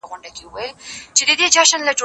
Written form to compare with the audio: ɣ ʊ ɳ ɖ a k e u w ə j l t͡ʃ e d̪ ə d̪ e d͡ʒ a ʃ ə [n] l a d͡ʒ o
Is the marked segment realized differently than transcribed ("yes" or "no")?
no